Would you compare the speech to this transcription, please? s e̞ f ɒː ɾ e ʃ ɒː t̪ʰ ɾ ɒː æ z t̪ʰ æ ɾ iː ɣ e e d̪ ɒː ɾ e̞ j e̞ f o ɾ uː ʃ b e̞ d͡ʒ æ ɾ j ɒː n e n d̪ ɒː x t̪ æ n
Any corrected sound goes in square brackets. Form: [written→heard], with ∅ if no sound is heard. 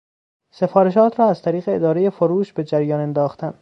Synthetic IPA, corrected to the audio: s e̞ f ɒː ɾ e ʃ ɒː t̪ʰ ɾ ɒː æ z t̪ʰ æ ɾ iː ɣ e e d̪ ɒː ɾ e̞ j e̞ f o ɾ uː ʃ b e̞ d͡ʒ æ ɾ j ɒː n e n d̪ ɒː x t̪ æ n